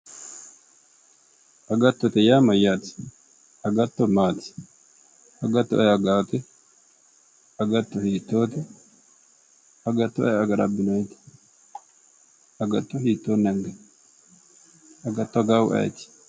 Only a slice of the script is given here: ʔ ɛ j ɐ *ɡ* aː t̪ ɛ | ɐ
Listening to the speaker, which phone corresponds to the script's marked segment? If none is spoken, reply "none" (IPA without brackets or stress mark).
ɡ